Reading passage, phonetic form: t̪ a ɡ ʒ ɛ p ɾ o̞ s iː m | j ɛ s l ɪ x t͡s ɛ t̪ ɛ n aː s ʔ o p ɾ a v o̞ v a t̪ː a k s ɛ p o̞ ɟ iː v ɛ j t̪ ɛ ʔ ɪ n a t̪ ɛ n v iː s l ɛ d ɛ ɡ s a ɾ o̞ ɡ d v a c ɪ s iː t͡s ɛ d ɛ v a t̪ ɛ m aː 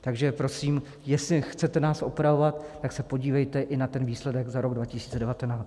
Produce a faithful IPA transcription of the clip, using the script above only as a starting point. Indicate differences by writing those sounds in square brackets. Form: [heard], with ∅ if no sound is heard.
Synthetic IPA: t̪ a ɡ ʒ ɛ p ɾ o̞ s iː m | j ɛ s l ɪ x t͡s ɛ t̪ ɛ n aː s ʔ o p ɾ a v o̞ v a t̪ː a k s ɛ p o̞ ɟ iː v ɛ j t̪ ɛ ʔ ɪ n a t̪ ɛ n v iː s l ɛ d ɛ ɡ [z] a ɾ o̞ ɡ d v a c ɪ s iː t͡s ɛ d ɛ v a t̪ ɛ [n] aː